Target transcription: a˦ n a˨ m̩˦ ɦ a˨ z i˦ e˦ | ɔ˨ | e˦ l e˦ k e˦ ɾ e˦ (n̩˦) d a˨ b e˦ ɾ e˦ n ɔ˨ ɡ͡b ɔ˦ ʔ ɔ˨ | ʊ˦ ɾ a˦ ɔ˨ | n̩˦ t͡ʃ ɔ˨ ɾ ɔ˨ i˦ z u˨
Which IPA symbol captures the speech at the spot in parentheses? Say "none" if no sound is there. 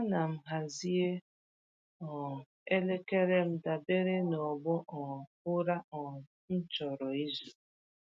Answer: m̩˦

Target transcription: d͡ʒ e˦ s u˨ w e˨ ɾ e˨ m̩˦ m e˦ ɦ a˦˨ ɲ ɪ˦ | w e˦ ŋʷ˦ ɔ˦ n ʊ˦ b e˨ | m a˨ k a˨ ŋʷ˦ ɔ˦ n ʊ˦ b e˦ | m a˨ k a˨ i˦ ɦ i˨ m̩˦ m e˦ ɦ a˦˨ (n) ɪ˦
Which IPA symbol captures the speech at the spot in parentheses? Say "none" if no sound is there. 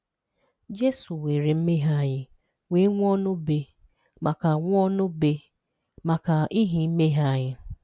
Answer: ɲ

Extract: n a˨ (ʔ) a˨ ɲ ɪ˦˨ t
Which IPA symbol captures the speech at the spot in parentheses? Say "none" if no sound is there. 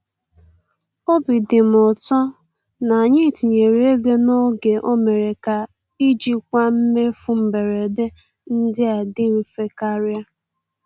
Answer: none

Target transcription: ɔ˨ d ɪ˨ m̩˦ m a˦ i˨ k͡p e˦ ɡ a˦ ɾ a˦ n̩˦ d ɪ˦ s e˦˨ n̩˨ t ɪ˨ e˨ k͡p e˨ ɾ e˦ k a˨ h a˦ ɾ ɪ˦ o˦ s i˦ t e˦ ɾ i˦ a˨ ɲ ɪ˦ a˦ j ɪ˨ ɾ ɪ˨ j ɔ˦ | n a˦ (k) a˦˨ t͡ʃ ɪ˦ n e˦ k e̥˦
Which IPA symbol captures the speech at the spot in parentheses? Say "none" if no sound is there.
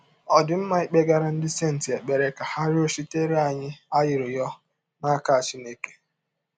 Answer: k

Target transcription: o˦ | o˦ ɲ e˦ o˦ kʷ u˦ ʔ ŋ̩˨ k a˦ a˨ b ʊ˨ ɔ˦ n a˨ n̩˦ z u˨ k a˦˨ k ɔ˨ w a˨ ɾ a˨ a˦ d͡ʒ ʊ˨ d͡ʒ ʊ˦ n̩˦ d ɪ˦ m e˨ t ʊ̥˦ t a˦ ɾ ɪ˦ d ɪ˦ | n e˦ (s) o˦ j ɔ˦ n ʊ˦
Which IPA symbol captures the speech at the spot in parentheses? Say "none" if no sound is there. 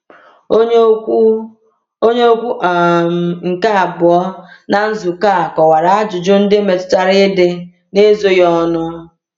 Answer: z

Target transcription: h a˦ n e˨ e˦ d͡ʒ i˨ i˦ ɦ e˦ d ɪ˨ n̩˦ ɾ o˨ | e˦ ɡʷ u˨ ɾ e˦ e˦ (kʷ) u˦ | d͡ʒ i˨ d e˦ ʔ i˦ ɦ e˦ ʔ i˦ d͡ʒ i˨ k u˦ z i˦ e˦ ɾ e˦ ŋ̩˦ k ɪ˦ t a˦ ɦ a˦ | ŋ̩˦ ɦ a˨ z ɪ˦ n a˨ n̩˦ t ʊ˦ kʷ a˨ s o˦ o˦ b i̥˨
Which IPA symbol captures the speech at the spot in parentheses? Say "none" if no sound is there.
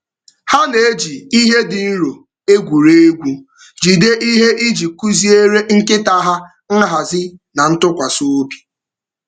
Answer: ɡʷ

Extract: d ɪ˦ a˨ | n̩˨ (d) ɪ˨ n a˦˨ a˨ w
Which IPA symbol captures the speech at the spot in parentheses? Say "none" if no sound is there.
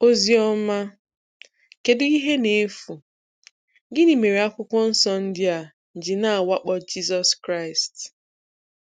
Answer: d͡ʒ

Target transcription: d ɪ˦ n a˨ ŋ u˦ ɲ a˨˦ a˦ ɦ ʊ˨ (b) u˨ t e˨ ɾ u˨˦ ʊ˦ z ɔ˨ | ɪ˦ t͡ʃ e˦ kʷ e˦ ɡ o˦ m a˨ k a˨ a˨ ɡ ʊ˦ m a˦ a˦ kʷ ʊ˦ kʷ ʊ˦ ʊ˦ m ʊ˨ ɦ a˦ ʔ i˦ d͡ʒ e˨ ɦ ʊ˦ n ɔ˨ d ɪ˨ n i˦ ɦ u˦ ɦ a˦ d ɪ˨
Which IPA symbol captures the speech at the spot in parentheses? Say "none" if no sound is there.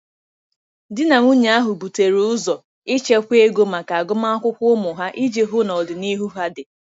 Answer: b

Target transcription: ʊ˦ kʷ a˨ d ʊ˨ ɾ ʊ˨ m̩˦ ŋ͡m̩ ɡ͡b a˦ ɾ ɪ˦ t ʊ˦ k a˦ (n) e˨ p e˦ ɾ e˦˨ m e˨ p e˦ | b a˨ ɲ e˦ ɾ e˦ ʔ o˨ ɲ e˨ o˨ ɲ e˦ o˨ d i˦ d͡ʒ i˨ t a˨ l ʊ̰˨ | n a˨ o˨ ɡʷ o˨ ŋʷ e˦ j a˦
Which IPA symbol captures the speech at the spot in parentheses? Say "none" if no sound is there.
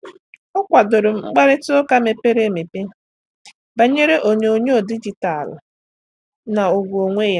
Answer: m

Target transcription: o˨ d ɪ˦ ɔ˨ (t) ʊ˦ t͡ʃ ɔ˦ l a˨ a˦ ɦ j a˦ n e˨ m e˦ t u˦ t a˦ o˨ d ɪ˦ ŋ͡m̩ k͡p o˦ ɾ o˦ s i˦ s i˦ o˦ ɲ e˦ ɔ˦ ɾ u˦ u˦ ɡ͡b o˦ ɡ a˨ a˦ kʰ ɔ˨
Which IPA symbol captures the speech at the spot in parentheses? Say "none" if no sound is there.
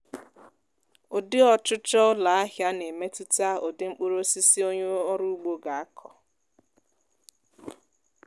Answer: t͡ʃ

